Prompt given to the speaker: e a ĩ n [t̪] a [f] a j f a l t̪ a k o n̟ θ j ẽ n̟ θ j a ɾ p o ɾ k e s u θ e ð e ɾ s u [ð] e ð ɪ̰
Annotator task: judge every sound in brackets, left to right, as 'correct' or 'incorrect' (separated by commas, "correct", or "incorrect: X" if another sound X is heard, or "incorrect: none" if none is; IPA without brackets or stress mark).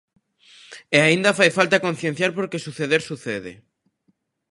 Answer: incorrect: d̪, correct, incorrect: θ